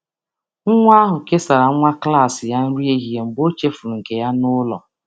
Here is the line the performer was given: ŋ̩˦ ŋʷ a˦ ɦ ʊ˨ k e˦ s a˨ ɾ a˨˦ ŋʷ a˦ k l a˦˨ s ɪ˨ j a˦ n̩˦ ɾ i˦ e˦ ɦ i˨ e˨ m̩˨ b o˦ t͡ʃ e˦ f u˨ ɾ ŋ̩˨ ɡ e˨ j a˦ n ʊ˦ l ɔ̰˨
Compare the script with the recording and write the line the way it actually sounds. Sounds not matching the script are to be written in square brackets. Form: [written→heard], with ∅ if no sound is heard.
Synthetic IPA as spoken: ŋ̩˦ ŋʷ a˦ ɦ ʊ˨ k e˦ s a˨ ɾ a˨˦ ŋʷ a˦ k l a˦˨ s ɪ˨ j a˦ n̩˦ ɾ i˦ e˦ ɦ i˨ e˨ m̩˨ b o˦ t͡ʃ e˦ f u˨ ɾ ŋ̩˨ [ɡ→k] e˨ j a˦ n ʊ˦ l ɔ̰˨